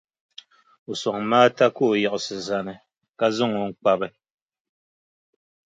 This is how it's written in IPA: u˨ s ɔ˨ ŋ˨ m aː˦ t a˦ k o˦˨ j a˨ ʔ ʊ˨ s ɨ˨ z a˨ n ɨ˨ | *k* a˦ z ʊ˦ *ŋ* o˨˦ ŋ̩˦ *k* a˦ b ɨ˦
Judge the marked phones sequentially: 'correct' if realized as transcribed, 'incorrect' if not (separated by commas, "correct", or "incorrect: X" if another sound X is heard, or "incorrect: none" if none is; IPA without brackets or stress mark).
correct, correct, incorrect: k͡p